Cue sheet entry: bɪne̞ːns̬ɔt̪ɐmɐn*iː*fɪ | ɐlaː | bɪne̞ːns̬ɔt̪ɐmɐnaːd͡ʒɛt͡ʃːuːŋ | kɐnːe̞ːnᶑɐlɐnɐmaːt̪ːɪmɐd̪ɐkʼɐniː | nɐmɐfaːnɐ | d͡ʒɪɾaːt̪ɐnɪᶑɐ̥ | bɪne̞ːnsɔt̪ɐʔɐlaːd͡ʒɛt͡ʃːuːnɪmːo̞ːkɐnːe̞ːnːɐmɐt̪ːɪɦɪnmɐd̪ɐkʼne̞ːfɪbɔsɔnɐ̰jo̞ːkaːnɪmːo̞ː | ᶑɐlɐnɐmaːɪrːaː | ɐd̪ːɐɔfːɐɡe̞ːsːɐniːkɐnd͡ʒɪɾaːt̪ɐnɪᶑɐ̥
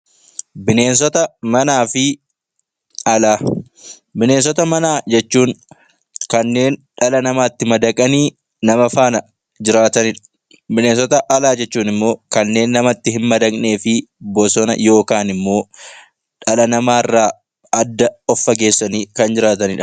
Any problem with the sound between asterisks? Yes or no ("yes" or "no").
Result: yes